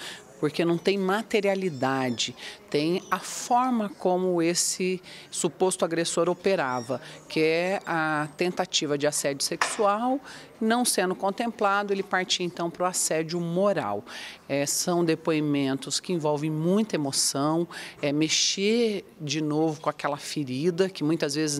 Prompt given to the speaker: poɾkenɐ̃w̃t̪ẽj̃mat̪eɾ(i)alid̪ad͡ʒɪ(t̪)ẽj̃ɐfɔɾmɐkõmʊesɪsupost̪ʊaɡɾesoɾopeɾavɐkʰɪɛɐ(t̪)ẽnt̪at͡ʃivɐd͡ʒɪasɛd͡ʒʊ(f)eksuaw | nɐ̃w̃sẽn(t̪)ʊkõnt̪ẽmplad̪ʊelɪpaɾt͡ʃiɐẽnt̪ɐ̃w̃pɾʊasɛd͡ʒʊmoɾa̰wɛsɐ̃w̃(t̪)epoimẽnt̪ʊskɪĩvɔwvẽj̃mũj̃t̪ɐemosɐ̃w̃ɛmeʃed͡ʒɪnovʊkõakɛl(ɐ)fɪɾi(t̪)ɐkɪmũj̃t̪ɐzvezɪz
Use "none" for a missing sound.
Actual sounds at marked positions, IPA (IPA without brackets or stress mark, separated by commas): i, t̪, t̪, s, d̪, d̪, ɐ, d̪